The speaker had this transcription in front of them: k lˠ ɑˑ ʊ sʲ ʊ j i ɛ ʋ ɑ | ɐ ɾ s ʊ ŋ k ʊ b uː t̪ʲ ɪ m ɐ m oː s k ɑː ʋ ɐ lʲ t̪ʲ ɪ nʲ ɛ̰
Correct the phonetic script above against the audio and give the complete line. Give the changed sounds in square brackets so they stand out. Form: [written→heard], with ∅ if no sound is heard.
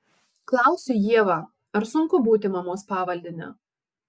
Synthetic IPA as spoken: k lˠ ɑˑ ʊ sʲ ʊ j i ɛ ʋ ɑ | ɐ ɾ s ʊ ŋ k ʊ b uː t̪ʲ ɪ m ɐ m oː s [k→p] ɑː ʋ ɐ lʲ [t̪ʲ→d̪ʲ] ɪ nʲ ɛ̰